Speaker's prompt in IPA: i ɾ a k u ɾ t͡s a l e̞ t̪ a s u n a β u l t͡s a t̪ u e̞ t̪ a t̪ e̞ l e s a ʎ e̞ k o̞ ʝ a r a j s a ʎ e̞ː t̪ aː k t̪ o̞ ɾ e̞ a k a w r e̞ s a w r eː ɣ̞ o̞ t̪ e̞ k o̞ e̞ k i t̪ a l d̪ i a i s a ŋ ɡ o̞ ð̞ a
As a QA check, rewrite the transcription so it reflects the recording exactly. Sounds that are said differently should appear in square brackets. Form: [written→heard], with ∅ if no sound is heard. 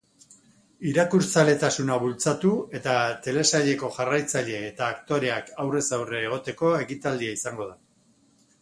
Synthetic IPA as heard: i ɾ a k u ɾ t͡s a l e̞ t̪ a s u n a β u l t͡s a t̪ u e̞ t̪ a t̪ e̞ l e s a ʎ e̞ k o̞ ʝ a r a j [s→t͡s] a ʎ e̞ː t̪ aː k t̪ o̞ ɾ e̞ a k a w r e̞ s a w r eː ɣ̞ o̞ t̪ e̞ k o̞ e̞ k i t̪ a l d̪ i a i s a ŋ ɡ o̞ ð̞ a